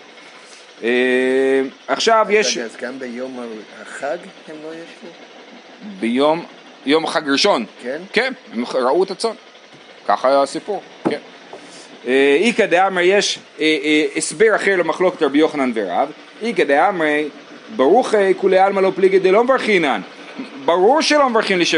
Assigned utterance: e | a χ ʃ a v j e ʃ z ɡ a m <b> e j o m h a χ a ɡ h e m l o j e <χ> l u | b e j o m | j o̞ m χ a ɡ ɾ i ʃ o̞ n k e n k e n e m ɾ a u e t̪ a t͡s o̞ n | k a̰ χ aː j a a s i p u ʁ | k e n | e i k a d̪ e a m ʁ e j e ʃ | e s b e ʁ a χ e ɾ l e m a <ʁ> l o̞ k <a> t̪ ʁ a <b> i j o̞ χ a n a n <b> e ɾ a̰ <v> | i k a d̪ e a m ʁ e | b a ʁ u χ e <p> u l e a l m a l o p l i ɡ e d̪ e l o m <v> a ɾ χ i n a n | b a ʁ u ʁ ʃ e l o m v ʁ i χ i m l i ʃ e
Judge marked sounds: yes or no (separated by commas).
yes, no, no, no, yes, no, yes, no, yes